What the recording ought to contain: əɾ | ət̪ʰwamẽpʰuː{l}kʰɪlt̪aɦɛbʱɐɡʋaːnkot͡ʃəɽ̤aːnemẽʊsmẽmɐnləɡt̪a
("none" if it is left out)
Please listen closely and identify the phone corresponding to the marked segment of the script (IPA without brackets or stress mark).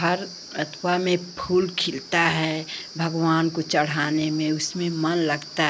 l